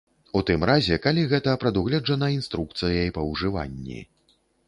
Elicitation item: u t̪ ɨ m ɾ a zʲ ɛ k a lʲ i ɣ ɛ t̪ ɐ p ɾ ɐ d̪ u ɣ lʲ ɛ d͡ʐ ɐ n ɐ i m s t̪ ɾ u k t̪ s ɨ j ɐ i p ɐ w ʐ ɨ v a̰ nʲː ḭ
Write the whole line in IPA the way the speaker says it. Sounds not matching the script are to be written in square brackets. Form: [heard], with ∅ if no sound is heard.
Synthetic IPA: u t̪ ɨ m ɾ a zʲ ɛ k a lʲ i ɣ ɛ t̪ ɐ p ɾ ɐ d̪ u ɣ lʲ ɛ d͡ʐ ɐ n ɐ i [n] s t̪ ɾ u k t̪ s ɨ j ɐ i p ɐ w ʐ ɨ v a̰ nʲː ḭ